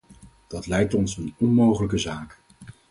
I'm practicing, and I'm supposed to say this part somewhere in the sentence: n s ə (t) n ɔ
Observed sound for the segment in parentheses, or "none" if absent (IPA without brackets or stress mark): none